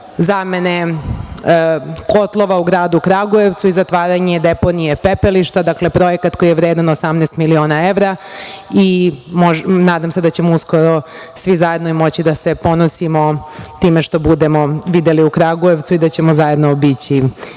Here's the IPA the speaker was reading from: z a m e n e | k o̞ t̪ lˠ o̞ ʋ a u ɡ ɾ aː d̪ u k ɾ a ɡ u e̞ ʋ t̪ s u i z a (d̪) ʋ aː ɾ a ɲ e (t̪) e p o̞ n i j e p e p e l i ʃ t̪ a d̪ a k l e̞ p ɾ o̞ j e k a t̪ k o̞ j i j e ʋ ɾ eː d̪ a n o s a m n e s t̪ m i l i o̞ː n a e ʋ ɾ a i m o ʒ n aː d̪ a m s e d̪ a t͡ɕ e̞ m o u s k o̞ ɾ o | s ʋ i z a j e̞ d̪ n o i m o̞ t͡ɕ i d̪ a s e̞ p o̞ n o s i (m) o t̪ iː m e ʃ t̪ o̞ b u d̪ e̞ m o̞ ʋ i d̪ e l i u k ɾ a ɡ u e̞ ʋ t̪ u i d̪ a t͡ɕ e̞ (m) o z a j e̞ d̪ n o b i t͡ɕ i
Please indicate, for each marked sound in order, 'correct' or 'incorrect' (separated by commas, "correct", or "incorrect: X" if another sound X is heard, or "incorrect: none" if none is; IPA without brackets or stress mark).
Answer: incorrect: t̪, incorrect: d̪, correct, correct